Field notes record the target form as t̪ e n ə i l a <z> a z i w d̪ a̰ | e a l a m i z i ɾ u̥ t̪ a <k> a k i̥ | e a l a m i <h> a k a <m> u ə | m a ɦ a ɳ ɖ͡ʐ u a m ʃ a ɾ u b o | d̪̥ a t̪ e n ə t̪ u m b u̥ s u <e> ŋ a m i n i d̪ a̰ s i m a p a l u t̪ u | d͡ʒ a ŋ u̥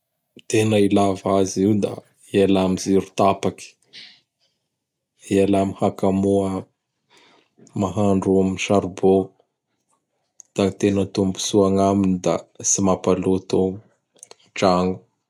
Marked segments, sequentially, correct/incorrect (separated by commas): incorrect, incorrect, correct, correct, incorrect